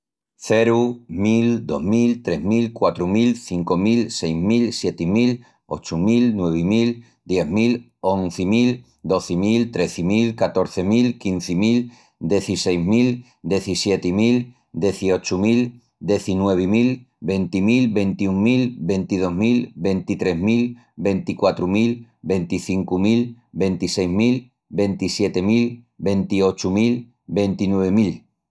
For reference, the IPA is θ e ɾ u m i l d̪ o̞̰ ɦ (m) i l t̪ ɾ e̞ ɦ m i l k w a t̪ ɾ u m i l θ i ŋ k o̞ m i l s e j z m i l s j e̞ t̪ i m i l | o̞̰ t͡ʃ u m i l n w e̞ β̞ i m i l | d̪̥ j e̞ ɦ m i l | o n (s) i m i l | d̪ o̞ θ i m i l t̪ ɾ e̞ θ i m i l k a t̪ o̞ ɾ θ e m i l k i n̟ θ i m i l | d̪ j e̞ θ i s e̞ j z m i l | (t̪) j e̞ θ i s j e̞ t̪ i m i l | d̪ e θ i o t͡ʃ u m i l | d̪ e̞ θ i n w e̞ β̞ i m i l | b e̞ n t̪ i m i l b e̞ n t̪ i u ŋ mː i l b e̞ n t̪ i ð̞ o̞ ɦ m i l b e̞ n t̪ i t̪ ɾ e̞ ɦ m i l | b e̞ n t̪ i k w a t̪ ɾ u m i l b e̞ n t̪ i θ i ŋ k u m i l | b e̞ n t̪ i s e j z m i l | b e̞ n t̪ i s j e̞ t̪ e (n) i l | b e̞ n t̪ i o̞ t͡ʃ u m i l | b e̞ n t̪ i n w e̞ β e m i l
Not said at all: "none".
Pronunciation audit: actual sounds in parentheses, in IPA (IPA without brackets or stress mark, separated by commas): m, θ, d̪, m